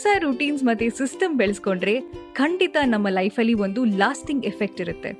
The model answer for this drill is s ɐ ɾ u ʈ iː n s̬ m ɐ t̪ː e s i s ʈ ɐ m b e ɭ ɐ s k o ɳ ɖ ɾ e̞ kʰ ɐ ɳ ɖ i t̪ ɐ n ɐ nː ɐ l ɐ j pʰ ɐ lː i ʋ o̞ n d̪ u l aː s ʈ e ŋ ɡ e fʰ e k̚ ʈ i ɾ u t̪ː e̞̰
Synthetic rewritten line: s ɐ ɾ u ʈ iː n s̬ m ɐ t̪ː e s i s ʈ ɐ m b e ɭ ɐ s k o ɳ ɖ ɾ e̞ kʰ ɐ ɳ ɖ i t̪ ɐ n ɐ mː ɐ l ɐ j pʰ ɐ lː i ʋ o̞ n d̪ u l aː s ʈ i ŋ ɡ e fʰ e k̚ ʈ i ɾ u t̪ː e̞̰